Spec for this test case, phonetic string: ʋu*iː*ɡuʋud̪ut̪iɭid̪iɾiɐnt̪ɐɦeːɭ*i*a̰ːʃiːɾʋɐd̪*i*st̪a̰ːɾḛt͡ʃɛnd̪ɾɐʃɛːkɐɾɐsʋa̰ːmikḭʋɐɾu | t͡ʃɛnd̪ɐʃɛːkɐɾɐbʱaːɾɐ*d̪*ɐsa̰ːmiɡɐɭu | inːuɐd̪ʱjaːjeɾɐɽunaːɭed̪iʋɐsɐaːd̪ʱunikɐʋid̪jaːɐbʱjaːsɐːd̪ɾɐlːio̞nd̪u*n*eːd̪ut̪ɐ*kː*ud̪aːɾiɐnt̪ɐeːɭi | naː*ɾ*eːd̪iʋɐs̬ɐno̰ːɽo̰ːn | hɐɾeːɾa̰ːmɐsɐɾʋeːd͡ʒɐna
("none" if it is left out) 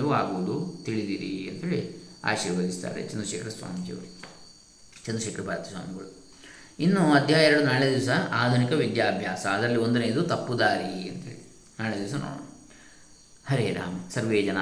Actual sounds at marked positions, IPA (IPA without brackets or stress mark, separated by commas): aː, i, i, t̪, n, pː, ɭ